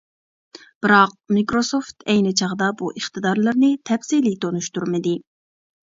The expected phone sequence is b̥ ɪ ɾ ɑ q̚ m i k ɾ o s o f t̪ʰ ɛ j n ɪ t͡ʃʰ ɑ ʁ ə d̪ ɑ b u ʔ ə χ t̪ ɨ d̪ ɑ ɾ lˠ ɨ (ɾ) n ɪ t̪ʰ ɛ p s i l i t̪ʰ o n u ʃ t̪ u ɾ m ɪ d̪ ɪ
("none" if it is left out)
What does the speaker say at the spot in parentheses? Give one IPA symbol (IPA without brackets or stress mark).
ɾ